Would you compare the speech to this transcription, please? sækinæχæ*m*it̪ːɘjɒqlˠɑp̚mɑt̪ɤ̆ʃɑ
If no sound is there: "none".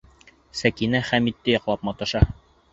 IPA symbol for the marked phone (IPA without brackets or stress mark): m